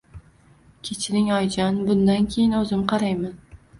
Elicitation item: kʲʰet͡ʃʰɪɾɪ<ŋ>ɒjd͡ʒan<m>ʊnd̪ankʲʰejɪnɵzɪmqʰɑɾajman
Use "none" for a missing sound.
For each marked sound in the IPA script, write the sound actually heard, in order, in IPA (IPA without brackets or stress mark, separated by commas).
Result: ŋ, b